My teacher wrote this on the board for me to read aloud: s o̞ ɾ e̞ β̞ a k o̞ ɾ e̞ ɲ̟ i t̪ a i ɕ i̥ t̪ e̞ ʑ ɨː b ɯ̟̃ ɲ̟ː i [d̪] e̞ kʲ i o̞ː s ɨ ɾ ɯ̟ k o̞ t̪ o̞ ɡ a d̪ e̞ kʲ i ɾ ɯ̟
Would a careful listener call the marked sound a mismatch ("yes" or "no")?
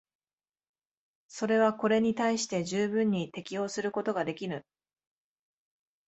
yes